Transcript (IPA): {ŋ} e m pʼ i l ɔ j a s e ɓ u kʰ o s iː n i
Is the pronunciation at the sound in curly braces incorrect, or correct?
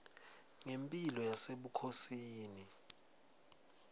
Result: correct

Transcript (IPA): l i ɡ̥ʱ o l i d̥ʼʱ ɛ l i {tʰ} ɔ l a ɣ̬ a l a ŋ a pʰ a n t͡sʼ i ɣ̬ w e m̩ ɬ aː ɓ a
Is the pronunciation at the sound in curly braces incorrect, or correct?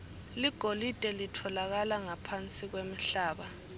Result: correct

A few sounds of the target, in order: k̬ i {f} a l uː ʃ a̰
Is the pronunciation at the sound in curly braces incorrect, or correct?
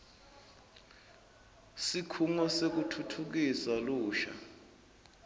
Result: incorrect: s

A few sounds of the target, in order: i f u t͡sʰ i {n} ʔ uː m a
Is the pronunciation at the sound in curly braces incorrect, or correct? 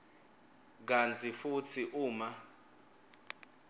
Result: incorrect: none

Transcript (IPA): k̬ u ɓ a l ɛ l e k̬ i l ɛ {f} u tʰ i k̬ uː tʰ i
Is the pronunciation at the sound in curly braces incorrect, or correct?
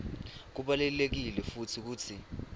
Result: correct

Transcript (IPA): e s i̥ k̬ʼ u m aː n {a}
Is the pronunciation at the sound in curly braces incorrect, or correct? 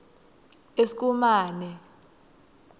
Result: incorrect: ɛ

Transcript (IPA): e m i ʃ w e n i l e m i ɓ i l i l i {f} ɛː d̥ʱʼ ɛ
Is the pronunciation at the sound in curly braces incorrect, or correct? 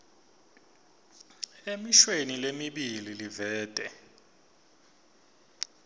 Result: incorrect: v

